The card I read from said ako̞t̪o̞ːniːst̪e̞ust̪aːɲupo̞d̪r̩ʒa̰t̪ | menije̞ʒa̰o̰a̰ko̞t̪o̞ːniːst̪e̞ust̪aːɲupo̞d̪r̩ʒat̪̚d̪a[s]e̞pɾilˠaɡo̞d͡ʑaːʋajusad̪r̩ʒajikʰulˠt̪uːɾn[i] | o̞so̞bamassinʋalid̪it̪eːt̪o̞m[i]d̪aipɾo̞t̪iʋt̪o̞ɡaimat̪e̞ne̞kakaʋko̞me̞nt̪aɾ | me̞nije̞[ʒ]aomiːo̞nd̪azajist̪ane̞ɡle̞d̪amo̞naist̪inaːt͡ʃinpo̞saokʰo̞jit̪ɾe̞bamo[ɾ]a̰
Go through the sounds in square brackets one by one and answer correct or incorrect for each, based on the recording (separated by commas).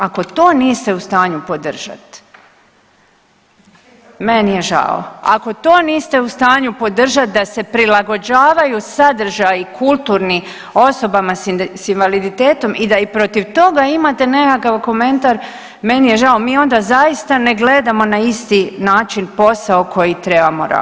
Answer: correct, correct, correct, correct, correct